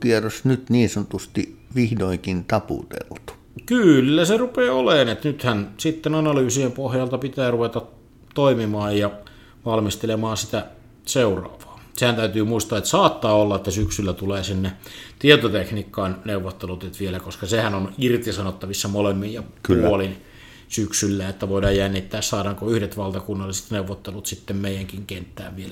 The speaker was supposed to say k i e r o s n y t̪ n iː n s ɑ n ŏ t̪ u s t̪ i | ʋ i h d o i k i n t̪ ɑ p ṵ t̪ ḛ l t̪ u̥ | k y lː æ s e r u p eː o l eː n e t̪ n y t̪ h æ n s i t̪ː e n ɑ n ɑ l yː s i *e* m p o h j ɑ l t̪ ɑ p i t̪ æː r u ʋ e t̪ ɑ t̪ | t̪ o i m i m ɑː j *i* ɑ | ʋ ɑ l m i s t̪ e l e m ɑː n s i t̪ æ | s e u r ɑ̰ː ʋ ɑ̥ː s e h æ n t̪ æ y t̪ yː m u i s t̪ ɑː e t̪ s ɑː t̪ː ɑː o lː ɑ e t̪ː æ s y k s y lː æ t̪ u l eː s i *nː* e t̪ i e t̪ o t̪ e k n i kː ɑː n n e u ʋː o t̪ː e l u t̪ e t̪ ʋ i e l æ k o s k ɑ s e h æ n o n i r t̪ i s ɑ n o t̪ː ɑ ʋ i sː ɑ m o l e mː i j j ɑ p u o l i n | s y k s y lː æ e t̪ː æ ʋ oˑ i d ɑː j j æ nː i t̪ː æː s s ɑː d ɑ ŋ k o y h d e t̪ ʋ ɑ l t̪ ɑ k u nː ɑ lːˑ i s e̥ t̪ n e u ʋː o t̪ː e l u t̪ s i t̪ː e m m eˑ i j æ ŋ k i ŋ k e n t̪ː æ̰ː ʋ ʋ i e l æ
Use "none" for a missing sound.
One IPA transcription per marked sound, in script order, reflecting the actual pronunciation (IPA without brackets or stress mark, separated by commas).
e, j, nː